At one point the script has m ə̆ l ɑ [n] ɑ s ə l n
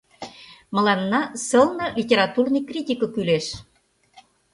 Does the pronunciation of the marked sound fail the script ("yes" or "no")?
yes